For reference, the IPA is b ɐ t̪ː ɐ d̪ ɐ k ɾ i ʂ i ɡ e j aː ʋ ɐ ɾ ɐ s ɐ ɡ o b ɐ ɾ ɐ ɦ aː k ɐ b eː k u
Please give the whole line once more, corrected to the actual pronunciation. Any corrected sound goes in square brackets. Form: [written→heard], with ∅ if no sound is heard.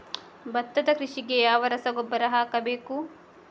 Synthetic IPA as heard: b ɐ t̪ː ɐ d̪ ɐ k ɾ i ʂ i ɡ e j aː ʋ ɐ ɾ ɐ s ɐ ɡ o [b→bː] ɐ ɾ ɐ ɦ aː k ɐ b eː k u

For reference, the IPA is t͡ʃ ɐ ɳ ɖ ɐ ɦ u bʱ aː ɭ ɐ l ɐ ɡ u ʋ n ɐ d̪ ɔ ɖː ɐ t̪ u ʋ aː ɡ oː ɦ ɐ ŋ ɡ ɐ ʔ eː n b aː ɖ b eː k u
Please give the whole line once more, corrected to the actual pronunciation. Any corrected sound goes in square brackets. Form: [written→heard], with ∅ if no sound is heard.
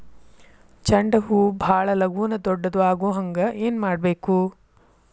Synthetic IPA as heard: t͡ʃ ɐ ɳ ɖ ɐ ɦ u bʱ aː ɭ ɐ l ɐ ɡ u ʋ n ɐ d̪ ɔ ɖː ɐ [t̪→d̪] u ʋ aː ɡ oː ɦ ɐ ŋ ɡ ɐ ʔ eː n [b→m] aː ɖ b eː k u

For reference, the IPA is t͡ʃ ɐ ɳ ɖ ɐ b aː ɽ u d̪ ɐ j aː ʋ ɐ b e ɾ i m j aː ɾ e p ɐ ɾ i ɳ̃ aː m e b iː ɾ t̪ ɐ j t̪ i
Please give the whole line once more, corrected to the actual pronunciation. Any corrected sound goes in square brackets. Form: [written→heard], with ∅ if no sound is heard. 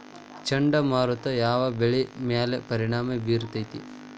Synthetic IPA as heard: t͡ʃ ɐ ɳ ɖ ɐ [b→m] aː [ɽ→ɾ] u [d̪→t̪] ɐ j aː ʋ ɐ b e [ɾ→ɭ] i m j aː [ɾ→l] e p ɐ ɾ i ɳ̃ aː m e b iː ɾ t̪ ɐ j t̪ i

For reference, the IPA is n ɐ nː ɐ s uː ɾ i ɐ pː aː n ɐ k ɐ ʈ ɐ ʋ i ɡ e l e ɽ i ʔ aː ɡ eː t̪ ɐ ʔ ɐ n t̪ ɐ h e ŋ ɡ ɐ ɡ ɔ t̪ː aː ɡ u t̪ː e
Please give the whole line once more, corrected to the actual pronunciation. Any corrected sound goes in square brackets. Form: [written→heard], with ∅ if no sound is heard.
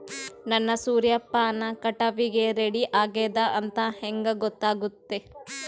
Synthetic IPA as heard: n ɐ nː ɐ s uː ɾ [i→j] ɐ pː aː n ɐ k ɐ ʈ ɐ ʋ i ɡ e [l→ɾ] e ɽ i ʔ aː ɡ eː [t̪→d̪] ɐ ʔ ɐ n t̪ ɐ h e ŋ ɡ ɐ ɡ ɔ t̪ː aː ɡ u t̪ː e

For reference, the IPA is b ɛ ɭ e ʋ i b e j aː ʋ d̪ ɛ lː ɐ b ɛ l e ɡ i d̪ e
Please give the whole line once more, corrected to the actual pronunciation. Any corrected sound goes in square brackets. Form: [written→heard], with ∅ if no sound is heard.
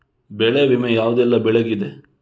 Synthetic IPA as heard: b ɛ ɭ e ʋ i [b→m] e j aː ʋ d̪ ɛ lː ɐ b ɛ [l→ɭ] e ɡ i d̪ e

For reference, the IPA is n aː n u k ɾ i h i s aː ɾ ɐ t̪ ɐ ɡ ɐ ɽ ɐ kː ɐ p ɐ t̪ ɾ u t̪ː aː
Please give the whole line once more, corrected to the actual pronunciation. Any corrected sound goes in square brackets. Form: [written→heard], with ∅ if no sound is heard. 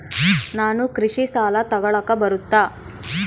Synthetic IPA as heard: n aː n u k ɾ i [h→ʂ] i s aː [ɾ→l] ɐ t̪ ɐ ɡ ɐ [ɽ→ɭ] ɐ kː ɐ [p→b] ɐ [t̪→∅] ɾ u t̪ː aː

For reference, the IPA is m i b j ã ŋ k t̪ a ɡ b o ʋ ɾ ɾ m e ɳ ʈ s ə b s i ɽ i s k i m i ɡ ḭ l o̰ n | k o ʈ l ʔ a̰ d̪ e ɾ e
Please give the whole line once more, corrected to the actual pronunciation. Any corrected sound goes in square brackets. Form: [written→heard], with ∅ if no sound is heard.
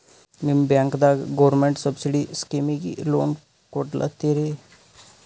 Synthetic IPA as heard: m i b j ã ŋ k [t̪→d̪] a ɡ [b→ɡ] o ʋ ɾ ɾ m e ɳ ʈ s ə b s i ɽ i s k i m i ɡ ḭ l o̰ n | k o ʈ l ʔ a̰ [d̪→t̪] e ɾ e

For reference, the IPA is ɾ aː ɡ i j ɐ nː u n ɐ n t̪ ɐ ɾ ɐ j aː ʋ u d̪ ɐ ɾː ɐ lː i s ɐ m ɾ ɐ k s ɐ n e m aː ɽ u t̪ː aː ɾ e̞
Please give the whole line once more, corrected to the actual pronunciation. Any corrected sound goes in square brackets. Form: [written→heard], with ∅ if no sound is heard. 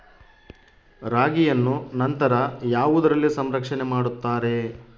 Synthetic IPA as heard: ɾ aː ɡ i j ɐ nː u n ɐ n t̪ ɐ ɾ ɐ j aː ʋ u d̪ ɐ [ɾː→ɾ] ɐ lː i s ɐ m ɾ ɐ k [s→ʂ] ɐ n e m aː ɽ u t̪ː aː ɾ e̞

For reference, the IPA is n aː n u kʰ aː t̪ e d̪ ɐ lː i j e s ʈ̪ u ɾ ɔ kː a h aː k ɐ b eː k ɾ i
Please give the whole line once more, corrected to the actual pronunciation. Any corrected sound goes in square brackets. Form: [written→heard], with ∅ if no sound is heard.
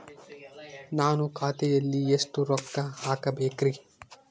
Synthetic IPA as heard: n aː n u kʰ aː t̪ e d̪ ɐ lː i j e s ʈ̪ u ɾ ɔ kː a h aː k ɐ b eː k ɾ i

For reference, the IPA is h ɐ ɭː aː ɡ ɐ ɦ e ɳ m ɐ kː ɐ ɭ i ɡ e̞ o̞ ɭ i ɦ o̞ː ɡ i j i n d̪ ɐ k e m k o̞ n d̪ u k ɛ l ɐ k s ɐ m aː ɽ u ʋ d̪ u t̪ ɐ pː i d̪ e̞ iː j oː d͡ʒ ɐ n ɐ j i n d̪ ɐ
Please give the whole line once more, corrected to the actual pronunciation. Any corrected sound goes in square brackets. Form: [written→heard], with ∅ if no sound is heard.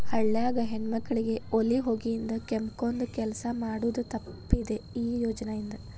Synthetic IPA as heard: h ɐ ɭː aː ɡ ɐ ɦ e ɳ m ɐ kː ɐ ɭ i ɡ e̞ o̞ [ɭ→l] i ɦ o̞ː ɡ i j i n d̪ ɐ k e m k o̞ n d̪ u k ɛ l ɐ [k→∅] s ɐ m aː ɽ u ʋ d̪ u t̪ ɐ pː i d̪ e̞ iː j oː d͡ʒ ɐ n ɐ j i n d̪ ɐ

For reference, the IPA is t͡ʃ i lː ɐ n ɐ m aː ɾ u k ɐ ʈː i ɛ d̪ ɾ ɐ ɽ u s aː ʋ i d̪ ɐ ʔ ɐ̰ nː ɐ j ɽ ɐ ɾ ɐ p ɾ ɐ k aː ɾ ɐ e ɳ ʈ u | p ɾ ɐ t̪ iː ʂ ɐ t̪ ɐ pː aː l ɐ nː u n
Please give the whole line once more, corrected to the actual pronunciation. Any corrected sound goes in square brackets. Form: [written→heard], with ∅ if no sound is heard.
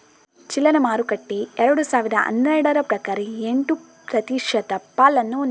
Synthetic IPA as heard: t͡ʃ i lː ɐ n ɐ m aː ɾ u k ɐ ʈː i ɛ [d̪→∅] ɾ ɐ ɽ u s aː ʋ i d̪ ɐ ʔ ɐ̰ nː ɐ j ɽ ɐ ɾ ɐ p ɾ ɐ k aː ɾ ɐ e ɳ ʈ u | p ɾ ɐ t̪ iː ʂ ɐ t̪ ɐ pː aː l ɐ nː u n

